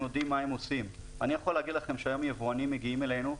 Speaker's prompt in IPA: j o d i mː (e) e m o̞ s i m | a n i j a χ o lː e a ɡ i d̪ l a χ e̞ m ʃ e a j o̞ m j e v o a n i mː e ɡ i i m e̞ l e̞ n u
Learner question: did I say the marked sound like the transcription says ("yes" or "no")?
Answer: no